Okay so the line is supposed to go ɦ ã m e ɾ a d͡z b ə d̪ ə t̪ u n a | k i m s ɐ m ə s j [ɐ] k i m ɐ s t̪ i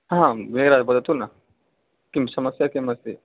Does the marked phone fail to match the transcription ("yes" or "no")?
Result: yes